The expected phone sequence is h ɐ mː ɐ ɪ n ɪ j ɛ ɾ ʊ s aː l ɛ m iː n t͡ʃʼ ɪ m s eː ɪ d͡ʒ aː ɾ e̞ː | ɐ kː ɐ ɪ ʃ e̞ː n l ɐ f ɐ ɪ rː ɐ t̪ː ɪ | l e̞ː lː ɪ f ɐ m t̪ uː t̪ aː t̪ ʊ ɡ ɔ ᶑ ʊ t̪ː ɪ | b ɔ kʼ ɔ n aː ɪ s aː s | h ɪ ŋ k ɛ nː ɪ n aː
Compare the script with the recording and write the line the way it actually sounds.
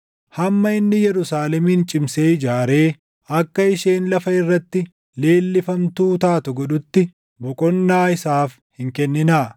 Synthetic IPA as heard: h ɐ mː ɐ ɪ nː ɪ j ɛ ɾ ʊ s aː l ɛ m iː n t͡ʃʼ ɪ m s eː ɪ d͡ʒ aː ɾ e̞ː | ɐ kː ɐ ɪ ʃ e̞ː n l ɐ f ɐ ɪ rː ɐ t̪ː ɪ | l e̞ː lː ɪ f ɐ m t̪ uː t̪ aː t̪ ʊ ɡ ɔ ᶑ ʊ t̪ː ɪ | b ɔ kʼ ɔ nː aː ɪ s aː f | h ɪ ŋ k ɛ nː ɪ n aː